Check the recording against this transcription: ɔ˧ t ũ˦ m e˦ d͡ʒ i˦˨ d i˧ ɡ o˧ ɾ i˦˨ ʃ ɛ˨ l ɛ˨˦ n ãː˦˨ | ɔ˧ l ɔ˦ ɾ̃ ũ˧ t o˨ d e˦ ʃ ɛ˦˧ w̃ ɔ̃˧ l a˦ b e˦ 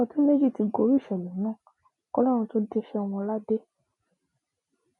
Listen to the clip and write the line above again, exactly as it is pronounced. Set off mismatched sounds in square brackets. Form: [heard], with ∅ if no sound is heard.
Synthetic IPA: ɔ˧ t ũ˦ m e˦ d͡ʒ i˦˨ [t] i˧ ɡ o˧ ɾ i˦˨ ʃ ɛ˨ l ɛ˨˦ n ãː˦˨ | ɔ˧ l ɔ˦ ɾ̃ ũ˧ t [o˦] d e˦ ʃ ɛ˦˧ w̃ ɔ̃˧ l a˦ [d] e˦